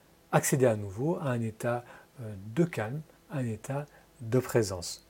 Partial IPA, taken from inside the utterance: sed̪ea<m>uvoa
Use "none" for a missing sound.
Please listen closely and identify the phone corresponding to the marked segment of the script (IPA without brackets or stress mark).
n